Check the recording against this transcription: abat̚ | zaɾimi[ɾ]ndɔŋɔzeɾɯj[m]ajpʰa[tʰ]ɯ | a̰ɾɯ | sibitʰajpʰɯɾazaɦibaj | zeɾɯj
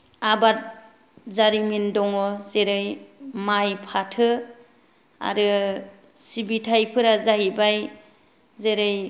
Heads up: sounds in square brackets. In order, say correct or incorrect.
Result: incorrect: none, correct, correct

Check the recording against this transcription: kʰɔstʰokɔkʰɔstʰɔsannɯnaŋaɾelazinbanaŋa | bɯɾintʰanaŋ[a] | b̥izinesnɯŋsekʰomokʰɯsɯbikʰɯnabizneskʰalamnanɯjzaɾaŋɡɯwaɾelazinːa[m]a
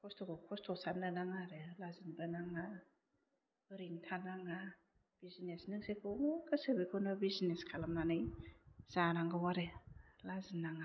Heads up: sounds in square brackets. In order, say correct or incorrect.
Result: correct, incorrect: ŋ

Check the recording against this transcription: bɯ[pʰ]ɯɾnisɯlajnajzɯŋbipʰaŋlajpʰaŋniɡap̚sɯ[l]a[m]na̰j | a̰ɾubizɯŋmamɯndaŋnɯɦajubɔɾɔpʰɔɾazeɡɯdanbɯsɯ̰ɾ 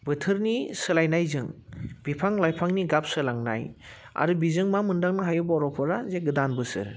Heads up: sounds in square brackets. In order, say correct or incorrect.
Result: incorrect: tʰ, correct, incorrect: ŋ

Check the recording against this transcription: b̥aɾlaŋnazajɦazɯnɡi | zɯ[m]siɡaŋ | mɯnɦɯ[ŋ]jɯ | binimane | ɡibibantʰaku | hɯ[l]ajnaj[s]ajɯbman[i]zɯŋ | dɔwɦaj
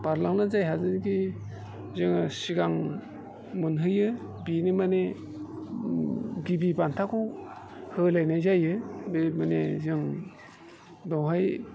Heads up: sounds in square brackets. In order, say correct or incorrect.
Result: incorrect: ŋ, incorrect: none, correct, incorrect: z, incorrect: e

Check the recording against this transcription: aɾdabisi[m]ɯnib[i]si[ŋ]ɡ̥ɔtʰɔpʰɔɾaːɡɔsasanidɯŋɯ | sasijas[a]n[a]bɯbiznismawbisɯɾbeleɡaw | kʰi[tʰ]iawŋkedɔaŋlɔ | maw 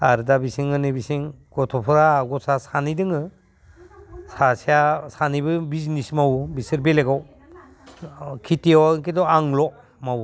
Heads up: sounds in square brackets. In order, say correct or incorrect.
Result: incorrect: ŋ, correct, correct, correct, incorrect: i, incorrect: t

